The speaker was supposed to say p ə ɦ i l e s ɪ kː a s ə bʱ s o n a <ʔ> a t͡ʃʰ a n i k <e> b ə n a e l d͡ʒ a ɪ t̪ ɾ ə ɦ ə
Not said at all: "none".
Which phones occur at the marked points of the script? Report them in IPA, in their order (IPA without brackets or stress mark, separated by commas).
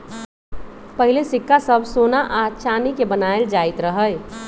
ʔ, e